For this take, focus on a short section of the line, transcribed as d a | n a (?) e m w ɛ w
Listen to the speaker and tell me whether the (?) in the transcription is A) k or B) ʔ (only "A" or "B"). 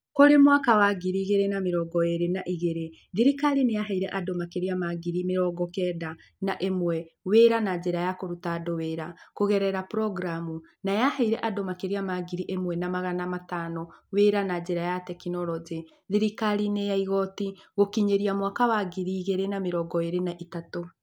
B